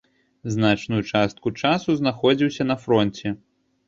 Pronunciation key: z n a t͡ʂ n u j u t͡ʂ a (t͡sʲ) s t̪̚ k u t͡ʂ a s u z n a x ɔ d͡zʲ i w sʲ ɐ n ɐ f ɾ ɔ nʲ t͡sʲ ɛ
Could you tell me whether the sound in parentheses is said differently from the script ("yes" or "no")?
yes